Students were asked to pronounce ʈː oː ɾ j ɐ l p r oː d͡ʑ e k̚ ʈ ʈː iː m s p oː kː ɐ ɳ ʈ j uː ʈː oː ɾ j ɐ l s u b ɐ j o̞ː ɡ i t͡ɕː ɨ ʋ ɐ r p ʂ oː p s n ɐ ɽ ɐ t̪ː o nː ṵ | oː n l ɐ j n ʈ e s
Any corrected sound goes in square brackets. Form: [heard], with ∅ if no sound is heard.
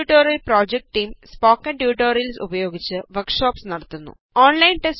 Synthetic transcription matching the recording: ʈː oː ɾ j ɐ l p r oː d͡ʑ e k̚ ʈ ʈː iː m s p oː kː ɐ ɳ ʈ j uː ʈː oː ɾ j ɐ l s u b ɐ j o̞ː ɡ i t͡ɕː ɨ ʋ ɐ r [k] ʂ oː p s n ɐ ɽ ɐ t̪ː [u] nː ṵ | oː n l ɐ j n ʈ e s